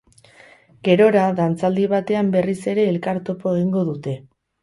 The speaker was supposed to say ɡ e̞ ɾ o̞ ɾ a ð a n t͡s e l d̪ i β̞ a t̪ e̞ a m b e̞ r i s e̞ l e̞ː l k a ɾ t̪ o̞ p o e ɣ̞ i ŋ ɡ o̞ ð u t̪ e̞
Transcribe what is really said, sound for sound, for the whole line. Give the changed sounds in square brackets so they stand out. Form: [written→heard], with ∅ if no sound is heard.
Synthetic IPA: ɡ e̞ ɾ o̞ ɾ a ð a n t͡s [e→a] l d̪ i β̞ a t̪ e̞ a m b e̞ r i s e̞ [l→ɾ] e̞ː l k a ɾ t̪ o̞ p o e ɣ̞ i ŋ ɡ o̞ ð u t̪ e̞